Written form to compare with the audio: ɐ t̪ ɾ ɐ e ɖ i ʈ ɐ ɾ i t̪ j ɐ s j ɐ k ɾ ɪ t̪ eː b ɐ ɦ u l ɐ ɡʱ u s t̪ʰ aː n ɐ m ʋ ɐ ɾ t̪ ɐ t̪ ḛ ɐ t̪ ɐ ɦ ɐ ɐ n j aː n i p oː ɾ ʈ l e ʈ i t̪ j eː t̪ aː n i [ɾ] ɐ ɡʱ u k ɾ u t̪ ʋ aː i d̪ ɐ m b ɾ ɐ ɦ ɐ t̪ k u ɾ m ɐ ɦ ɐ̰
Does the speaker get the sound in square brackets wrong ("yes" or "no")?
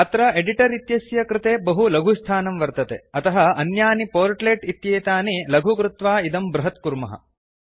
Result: yes